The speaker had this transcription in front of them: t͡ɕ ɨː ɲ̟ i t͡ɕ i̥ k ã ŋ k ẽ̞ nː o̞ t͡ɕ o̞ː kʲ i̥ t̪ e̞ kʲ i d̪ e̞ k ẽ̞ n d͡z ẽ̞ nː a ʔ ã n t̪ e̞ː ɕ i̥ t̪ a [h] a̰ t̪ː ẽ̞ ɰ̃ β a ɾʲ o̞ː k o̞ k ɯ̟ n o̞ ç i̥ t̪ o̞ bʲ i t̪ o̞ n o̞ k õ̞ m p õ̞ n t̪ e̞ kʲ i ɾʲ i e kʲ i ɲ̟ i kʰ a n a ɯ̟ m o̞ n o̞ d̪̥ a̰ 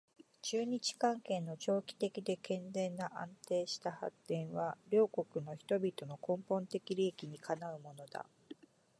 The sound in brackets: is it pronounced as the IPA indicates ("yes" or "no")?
yes